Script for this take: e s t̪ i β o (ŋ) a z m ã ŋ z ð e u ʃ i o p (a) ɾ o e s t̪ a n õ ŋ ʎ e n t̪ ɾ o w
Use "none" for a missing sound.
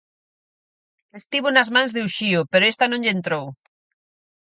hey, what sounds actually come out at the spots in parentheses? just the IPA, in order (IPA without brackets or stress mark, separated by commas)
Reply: n, e